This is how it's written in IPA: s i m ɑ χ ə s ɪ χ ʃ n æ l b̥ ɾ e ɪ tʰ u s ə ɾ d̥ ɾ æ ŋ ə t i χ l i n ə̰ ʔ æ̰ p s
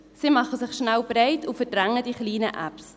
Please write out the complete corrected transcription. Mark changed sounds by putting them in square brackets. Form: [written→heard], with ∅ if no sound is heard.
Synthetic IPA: s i m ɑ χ ə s ɪ χ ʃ n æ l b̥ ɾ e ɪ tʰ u [s→f] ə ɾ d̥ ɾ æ ŋ ə [t→d] i χ l [i→iː] n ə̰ ʔ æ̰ p s